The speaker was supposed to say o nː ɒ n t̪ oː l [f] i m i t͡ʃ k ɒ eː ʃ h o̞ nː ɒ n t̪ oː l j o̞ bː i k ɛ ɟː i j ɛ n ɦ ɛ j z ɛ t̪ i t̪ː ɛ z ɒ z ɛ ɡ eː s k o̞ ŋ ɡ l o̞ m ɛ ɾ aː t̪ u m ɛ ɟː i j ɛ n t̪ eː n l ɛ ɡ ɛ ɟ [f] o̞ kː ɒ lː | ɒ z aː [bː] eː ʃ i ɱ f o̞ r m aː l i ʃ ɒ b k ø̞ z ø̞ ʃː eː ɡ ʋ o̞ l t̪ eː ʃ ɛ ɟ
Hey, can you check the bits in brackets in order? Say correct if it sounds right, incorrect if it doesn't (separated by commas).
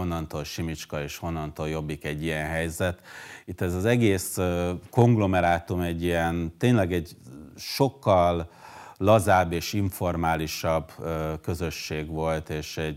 incorrect, incorrect, correct